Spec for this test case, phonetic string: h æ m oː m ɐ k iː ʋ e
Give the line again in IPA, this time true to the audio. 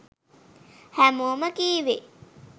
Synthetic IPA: h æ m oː m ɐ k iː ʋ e